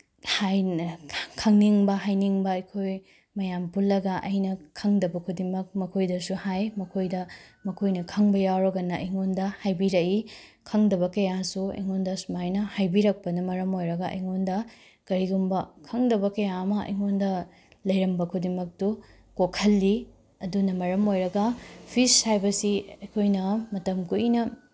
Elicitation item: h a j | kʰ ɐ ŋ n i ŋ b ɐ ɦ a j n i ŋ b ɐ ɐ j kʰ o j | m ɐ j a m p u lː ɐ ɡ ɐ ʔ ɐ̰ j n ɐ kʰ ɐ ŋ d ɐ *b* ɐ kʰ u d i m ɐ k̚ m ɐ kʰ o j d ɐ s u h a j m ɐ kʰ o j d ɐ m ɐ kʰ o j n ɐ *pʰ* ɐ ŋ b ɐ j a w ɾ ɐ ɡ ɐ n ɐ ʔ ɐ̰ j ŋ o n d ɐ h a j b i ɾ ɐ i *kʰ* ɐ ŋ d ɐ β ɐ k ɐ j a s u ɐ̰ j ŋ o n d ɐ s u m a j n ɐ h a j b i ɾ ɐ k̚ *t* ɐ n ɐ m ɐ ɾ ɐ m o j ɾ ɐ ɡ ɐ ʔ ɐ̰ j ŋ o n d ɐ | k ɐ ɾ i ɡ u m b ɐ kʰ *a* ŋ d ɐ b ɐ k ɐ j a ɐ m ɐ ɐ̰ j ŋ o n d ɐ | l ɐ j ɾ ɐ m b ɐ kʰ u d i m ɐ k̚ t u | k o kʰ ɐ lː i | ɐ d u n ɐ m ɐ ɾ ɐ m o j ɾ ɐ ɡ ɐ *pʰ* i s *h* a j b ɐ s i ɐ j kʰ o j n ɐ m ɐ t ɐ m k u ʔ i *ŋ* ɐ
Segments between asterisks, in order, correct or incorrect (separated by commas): correct, incorrect, correct, incorrect, incorrect, correct, correct, incorrect